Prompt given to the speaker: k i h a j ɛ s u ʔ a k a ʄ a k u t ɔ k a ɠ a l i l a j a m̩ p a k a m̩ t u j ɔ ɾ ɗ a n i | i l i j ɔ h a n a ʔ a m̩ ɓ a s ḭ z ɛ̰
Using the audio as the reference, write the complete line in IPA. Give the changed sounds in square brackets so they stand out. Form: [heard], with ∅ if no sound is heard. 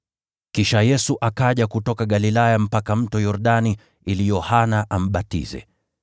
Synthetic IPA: k i [ʃ] a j ɛ s u ʔ a k a ʄ a k u t ɔ k a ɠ a l i l a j a m̩ p a k a m̩ t [ɔ] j ɔ ɾ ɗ a n i | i l i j ɔ h a n a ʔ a m̩ ɓ a [t] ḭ z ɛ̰